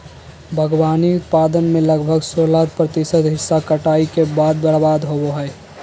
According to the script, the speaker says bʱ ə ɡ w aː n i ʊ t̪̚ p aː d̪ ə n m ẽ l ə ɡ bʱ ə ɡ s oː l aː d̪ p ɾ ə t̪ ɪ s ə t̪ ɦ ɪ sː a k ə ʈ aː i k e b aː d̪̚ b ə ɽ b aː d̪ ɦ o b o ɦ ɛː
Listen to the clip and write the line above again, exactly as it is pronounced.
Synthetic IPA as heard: bʱ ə ɡ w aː n i ʊ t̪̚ p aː d̪ ə n m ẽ l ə ɡ bʱ ə ɡ s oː l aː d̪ p ɾ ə t̪ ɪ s ə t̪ ɦ ɪ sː a k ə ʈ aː i k e b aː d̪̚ b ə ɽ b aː d̪ ɦ o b o ɦ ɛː